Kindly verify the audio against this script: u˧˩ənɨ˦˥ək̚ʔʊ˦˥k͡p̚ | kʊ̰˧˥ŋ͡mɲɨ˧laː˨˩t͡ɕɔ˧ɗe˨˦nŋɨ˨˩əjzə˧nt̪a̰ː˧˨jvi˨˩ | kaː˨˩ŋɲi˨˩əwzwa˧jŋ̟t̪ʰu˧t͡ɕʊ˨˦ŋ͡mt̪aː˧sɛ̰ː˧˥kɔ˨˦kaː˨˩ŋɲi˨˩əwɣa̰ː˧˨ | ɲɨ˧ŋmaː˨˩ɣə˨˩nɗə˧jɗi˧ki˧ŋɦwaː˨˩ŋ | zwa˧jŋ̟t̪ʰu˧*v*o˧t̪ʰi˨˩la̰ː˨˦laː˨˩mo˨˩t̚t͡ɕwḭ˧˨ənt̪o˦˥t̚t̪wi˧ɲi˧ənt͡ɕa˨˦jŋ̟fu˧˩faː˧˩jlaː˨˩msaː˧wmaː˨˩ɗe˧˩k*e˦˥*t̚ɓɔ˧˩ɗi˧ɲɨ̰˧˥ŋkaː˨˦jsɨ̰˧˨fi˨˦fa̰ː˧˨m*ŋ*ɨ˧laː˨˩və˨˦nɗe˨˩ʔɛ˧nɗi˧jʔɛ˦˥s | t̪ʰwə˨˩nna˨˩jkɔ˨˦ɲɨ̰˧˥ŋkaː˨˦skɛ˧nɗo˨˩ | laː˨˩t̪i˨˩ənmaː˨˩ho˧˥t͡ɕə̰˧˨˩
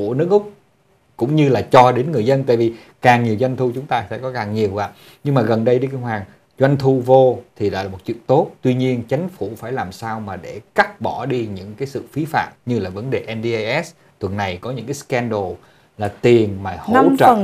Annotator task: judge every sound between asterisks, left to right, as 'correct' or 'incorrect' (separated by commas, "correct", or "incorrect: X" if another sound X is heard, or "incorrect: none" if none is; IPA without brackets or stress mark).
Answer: correct, incorrect: a˦˥, incorrect: ɲ